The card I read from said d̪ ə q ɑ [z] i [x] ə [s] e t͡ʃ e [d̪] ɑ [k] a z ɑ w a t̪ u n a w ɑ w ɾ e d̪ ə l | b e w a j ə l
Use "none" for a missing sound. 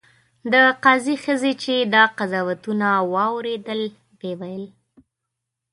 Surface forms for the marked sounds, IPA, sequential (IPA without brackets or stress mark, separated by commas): z, x, z, d̪, q